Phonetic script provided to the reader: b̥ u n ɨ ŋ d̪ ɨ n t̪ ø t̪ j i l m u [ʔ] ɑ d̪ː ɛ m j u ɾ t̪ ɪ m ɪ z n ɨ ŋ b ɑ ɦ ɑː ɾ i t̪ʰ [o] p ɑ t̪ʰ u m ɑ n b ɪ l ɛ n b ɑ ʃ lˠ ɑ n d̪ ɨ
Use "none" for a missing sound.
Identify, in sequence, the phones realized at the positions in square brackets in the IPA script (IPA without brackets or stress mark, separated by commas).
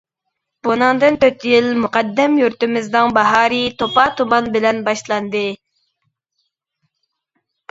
q, o